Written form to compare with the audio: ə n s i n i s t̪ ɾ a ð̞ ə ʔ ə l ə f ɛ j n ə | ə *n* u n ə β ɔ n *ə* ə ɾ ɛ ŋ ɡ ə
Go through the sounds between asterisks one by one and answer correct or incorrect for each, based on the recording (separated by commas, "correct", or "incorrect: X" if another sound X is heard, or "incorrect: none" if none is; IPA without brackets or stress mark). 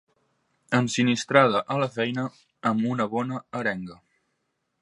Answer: incorrect: m, correct